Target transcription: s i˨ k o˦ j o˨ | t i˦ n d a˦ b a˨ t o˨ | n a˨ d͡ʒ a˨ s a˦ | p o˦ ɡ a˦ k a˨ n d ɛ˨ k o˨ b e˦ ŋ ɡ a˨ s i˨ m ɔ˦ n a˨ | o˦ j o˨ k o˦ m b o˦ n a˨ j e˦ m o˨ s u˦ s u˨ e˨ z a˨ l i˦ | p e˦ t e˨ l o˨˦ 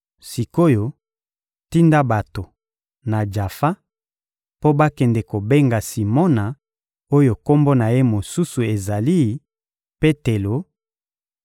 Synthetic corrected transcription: s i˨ k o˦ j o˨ | t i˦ n d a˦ b a˨ t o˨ | n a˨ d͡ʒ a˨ f a˦ | p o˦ b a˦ k ɛ˨ n d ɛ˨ k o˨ b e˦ ŋ ɡ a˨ s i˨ m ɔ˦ n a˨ | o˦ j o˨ k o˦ m b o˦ n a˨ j e˦ m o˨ s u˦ s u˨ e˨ z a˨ l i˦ | p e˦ t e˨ l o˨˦